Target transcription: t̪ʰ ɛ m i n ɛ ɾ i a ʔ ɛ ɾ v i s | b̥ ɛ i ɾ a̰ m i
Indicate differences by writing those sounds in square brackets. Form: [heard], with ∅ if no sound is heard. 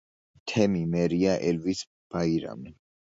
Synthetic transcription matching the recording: t̪ʰ ɛ m i [m] ɛ ɾ i a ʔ ɛ [l] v i s | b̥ [a] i ɾ a̰ m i